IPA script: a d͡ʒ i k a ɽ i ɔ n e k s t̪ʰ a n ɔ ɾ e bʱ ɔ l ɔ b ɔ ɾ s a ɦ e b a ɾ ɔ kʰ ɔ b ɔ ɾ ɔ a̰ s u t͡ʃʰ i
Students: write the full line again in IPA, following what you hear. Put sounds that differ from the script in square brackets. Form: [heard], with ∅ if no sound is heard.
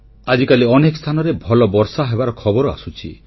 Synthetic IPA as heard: a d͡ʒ i k a [l] i ɔ n e k s t̪ʰ a n ɔ ɾ e bʱ ɔ l ɔ b ɔ ɾ s a ɦ e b a ɾ ɔ kʰ ɔ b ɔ ɾ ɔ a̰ s u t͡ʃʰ i